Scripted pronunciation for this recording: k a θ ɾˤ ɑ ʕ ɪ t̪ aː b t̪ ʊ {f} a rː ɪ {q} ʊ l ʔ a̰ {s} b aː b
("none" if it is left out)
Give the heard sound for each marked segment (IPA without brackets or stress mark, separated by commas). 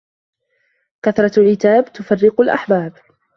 f, q, ħ